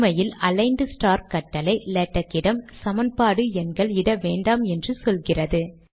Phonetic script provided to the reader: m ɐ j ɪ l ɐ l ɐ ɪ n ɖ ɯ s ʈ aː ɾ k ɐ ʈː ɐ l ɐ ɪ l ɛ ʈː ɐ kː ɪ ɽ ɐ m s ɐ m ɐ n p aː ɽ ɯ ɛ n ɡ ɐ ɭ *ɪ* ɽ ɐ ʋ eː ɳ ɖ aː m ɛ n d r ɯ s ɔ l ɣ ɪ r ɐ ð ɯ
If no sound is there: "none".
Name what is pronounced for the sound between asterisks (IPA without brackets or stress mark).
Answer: ɪ